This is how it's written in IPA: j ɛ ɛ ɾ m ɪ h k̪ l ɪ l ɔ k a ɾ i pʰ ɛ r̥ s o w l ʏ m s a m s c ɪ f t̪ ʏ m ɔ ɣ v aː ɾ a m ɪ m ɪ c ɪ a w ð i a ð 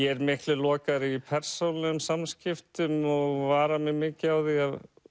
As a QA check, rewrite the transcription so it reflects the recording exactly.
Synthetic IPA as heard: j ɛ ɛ ɾ m ɪ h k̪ l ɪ l ɔː k a ɾ i pʰ ɛ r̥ s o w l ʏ m s a m s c ɪ f t̪ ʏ m ɔ ɣ v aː ɾ a m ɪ m ɪː c ɪ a w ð i a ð